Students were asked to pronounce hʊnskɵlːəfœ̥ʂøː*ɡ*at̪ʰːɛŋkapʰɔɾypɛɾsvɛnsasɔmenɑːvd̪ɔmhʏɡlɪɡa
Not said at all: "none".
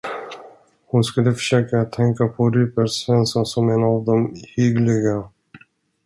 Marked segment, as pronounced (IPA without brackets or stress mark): k